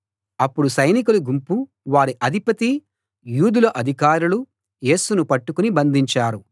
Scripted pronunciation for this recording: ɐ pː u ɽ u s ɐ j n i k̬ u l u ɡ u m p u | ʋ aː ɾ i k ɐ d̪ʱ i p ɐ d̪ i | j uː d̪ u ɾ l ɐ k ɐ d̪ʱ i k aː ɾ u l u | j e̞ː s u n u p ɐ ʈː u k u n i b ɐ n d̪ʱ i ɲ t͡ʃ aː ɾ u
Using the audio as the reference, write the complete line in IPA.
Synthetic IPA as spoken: ɐ pː u ɽ u s ɐ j n i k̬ u l u ɡ u m p u | ʋ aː ɾ i ʔ ɐ d̪ʱ i p ɐ t̪ i | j uː d̪ u l ɐ ʔ ɐ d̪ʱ i k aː ɾ u l u | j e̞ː s u n u p ɐ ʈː u k u n i b ɐ n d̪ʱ i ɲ t͡ʃ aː ɾ u